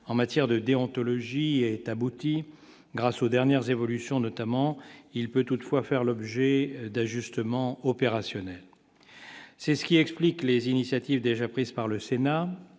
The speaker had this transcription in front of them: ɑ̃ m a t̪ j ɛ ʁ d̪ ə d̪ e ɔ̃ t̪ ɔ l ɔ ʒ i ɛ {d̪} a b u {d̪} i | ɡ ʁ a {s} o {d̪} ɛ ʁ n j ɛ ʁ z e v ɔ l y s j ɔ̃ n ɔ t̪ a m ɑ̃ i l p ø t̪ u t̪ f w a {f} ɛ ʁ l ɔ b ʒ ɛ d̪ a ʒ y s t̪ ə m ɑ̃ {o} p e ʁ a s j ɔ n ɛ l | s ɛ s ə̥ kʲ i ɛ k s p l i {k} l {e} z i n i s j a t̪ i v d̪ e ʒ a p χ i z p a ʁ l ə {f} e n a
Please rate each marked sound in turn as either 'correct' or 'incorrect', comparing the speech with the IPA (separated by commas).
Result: incorrect, incorrect, correct, correct, correct, incorrect, correct, correct, incorrect